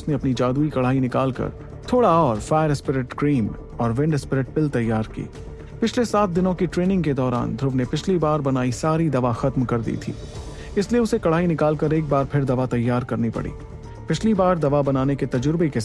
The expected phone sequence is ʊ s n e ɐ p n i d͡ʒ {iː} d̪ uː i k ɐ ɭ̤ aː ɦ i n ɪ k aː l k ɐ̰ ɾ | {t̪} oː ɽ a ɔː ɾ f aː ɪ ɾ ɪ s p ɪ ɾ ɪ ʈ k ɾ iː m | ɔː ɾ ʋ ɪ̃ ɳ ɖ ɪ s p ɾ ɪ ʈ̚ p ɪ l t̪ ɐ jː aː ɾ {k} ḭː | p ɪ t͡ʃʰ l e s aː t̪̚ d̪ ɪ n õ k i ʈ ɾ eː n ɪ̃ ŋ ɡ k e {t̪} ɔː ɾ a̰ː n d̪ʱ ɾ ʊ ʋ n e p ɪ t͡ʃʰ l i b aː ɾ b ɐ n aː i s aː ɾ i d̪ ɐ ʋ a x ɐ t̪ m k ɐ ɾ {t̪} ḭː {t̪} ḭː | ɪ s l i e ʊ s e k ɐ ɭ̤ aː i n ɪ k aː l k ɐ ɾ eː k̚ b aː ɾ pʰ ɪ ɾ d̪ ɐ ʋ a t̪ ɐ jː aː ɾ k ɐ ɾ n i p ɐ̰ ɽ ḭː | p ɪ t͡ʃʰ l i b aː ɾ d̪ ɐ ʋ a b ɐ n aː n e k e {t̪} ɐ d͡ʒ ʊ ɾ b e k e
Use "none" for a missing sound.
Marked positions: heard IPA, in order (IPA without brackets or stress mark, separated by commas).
aː, t̪ʰ, k, d̪, d̪, t̪ʰ, t̪